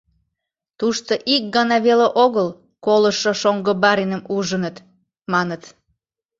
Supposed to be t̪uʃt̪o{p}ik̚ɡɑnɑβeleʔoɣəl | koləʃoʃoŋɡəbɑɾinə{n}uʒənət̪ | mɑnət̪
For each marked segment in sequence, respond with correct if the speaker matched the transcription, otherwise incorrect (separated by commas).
incorrect, incorrect